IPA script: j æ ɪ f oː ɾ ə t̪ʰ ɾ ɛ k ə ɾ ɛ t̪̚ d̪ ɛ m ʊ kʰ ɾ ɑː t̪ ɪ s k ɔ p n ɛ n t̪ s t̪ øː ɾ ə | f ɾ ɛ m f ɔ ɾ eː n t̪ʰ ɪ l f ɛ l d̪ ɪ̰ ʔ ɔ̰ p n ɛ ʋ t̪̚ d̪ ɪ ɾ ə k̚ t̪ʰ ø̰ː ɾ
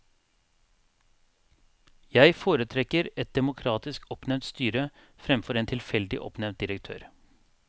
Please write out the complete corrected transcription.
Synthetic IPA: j æ ɪ f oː ɾ ə t̪ʰ ɾ ɛ k ə ɾ ɛ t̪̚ d̪ ɛ m ʊ kʰ ɾ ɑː t̪ ɪ s k ɔ p n ɛ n t̪ s t̪ yː ɾ ə | f ɾ ɛ m f ɔ ɾ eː n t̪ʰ ɪ l f ɛ l d̪ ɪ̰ ʔ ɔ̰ p n ɛ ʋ t̪̚ d̪ ɪ ɾ ə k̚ t̪ʰ ø̰ː ɾ